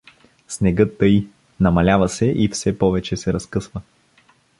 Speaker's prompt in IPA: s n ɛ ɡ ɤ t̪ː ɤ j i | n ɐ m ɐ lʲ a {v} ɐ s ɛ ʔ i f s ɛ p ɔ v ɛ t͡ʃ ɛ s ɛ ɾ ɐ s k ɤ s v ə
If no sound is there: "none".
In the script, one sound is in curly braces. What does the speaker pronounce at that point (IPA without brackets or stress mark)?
v